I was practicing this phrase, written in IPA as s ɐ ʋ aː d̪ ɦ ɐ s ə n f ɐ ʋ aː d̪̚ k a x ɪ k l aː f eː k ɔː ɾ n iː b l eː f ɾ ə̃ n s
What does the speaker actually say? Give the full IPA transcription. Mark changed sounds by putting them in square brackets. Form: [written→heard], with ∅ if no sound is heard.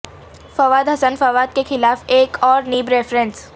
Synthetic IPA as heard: [s→f] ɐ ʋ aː d̪ ɦ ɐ s ə n f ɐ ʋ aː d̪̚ k [a→e] x ɪ [k→∅] l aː f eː k ɔː ɾ n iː b [l→ɾ] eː f ɾ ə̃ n s